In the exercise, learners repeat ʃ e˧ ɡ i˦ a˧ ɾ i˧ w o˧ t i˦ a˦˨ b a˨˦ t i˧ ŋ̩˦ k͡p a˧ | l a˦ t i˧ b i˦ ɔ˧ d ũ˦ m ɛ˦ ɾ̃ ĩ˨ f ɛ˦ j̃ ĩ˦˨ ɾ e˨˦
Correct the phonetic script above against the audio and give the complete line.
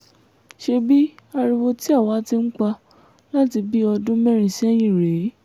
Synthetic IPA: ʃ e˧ b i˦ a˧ ɾ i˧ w o˧ t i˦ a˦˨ w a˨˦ t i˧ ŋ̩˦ k͡p a˧ | l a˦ t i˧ b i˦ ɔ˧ d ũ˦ m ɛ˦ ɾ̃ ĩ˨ s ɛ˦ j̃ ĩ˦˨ ɾ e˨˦